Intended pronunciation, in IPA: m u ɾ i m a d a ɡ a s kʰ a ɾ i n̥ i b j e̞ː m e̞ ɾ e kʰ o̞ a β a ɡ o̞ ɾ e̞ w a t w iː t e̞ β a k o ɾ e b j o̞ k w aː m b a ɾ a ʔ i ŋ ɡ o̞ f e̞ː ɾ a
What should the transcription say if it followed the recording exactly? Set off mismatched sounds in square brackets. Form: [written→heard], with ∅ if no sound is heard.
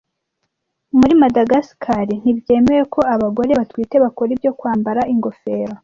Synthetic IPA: m u ɾ i m a d a ɡ a s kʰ a ɾ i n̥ i b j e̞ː m e̞ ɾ e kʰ o̞ a β a ɡ o̞ ɾ e̞ [w→β] a t w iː t e̞ β a k o ɾ [e→i] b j o̞ k w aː m b a ɾ a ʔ i ŋ ɡ o̞ f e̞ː ɾ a